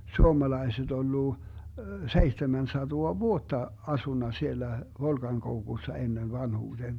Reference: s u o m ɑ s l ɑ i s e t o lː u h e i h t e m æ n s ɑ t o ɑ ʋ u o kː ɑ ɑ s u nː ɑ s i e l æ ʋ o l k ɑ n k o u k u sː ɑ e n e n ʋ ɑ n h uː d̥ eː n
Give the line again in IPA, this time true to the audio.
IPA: s u o m ɑ l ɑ i s e t o lː u s e i h t e m æ n s ɑ t o ɑ ʋ u o tː ɑ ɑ s u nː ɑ s i e lː æ ʋ o l k ɑ ŋ k o u k u sː ɑ e nː e n ʋ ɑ n h uː d̥ eː n